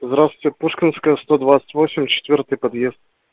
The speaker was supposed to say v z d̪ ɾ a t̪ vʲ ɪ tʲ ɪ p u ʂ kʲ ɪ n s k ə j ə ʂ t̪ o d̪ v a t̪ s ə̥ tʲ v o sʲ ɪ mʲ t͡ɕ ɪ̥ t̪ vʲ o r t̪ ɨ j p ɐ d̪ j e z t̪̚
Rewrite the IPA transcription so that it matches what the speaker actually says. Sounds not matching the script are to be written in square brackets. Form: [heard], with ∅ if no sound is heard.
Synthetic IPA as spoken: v z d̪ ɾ a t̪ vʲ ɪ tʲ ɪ p u ʂ kʲ ɪ n s k ə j ə [s] t̪ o d̪ v a t̪ s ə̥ tʲ v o sʲ ɪ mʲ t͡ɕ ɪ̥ t̪ vʲ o r t̪ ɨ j p ɐ d̪ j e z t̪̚